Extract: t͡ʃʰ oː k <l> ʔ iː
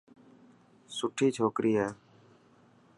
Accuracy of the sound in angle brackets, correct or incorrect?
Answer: incorrect